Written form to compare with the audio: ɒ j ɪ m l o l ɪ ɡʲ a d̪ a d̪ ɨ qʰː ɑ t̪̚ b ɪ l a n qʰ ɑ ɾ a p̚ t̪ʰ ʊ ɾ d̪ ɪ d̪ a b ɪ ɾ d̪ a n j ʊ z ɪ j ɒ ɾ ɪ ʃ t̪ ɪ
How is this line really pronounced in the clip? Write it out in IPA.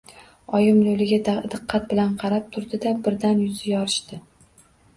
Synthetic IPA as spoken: ɒ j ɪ m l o l ɪ ɡʲ a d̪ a d̪ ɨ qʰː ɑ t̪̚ b ɪ l a n qʰ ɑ ɾ a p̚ t̪ʰ ʊ ɾ d̪ ɪ d̪ a b ɪ ɾ d̪ a n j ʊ z ɪ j ɒ ɾ ɪ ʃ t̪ ɪ